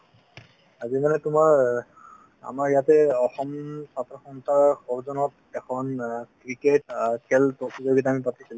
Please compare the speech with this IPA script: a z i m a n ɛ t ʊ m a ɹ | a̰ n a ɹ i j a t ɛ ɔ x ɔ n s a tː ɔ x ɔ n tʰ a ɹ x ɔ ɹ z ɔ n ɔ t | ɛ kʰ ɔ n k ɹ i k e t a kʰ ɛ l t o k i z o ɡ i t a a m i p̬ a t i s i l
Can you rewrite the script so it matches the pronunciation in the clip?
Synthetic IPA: a z i m a n ɛ t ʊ m a ɹ | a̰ m a ɹ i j a t ɛ ɔ x ɔ m s a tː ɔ x ɔ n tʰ a ɹ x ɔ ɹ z ɔ n ɔ t | ɛ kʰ ɔ n k ɹ i k e t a kʰ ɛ l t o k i z o ɡ i t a a m i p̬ a t i s i l